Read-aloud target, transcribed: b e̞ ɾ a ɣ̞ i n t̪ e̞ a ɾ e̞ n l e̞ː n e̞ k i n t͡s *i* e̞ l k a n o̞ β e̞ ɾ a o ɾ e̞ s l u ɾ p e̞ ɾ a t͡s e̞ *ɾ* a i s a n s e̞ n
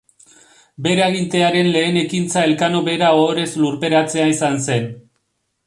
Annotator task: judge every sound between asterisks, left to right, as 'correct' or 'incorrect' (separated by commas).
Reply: incorrect, incorrect